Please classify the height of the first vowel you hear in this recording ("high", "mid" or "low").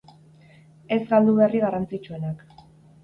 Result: mid